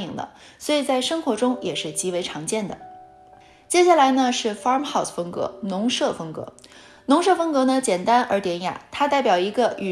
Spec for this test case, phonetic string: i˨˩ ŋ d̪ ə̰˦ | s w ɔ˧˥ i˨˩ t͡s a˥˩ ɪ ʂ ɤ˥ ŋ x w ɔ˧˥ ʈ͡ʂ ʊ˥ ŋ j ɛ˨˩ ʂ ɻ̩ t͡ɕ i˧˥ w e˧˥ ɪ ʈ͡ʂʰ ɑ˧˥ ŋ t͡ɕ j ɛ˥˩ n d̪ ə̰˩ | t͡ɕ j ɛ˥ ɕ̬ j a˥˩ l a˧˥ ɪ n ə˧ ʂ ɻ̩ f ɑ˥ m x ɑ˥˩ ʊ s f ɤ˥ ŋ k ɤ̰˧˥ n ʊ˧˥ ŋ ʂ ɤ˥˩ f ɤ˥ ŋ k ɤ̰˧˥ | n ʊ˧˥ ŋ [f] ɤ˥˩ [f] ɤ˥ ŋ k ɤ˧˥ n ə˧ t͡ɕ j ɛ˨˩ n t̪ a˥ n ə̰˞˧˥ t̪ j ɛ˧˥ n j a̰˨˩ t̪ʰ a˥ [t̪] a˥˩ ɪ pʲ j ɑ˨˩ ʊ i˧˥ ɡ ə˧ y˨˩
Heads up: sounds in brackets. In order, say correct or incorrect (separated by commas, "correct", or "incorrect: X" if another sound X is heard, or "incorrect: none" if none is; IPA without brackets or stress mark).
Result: incorrect: ʂ, correct, correct